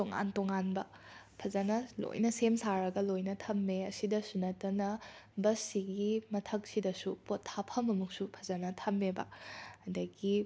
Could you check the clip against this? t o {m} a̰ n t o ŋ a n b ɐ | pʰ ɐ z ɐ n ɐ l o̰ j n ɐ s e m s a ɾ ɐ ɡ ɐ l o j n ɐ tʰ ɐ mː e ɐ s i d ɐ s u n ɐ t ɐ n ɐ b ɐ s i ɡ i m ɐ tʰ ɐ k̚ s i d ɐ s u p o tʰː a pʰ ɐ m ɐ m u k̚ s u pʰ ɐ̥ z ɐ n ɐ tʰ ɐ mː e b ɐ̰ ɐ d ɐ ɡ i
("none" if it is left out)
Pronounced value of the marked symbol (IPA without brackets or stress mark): ŋ